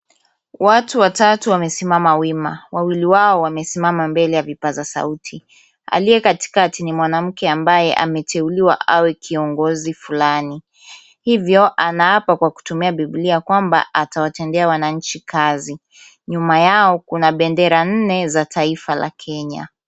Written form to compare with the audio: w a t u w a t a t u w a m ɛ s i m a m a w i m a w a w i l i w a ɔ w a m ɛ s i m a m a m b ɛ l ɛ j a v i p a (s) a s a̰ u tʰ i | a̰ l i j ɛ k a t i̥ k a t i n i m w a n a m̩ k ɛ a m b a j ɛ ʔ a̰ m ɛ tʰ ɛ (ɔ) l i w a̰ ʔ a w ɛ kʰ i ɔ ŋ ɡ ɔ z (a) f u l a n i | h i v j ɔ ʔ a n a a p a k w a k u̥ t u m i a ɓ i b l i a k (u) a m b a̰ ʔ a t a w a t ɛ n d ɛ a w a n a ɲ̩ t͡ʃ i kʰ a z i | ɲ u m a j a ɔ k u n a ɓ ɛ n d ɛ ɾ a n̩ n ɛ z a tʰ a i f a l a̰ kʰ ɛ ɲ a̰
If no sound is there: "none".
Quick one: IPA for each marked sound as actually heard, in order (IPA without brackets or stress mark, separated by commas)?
z, u, i, w